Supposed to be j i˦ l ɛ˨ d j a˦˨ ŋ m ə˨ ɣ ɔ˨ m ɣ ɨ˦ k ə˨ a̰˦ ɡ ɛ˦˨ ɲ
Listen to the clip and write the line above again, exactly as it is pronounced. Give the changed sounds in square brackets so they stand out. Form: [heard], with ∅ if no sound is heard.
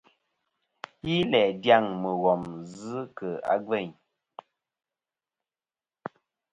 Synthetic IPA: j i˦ l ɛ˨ d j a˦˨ ŋ m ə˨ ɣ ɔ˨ m [z] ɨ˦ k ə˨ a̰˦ ɡ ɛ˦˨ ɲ